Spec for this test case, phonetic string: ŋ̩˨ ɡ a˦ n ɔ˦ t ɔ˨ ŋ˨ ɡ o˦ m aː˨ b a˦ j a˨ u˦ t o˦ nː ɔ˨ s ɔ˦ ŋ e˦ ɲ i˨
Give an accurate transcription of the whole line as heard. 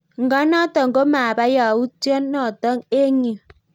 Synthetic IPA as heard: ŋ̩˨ ɡ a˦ n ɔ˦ t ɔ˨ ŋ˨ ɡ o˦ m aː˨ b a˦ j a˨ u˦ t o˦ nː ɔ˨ t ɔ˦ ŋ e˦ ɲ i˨